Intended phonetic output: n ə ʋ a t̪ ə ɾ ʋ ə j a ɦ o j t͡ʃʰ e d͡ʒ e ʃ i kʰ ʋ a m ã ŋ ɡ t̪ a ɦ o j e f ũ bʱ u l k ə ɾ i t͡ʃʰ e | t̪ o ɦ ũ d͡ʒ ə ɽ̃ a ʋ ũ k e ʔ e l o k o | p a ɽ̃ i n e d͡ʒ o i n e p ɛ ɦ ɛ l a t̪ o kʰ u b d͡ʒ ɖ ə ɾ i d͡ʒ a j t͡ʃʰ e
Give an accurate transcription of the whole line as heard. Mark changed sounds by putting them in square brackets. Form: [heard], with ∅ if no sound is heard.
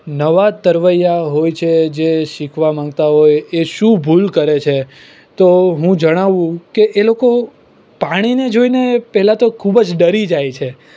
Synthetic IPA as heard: n ə ʋ a t̪ ə ɾ ʋ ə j a ɦ o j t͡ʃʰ e d͡ʒ e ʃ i kʰ ʋ a m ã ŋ ɡ t̪ a ɦ o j e [ʃ] ũ bʱ u l k ə ɾ [e] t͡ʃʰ e | t̪ o ɦ ũ d͡ʒ ə ɽ̃ a ʋ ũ k e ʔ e l o k o | p a ɽ̃ i n e d͡ʒ o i n e p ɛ ɦ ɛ l a t̪ o kʰ u b d͡ʒ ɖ ə ɾ i d͡ʒ a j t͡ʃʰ e